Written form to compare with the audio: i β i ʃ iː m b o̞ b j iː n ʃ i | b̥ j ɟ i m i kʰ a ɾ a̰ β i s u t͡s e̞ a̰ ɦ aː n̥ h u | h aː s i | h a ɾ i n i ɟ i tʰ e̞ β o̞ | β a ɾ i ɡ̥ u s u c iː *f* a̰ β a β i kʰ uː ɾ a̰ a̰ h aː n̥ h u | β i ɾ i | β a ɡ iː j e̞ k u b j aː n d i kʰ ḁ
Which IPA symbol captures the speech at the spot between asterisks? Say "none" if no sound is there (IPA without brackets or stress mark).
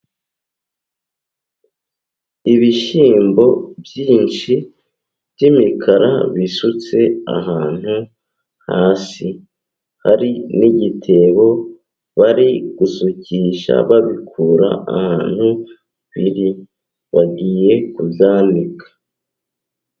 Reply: ʃ